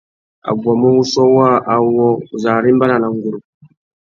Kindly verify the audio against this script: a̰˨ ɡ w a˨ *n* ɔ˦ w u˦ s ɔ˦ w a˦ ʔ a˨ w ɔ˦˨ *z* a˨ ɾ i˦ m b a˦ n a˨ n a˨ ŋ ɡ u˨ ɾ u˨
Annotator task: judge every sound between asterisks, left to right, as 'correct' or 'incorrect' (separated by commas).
incorrect, correct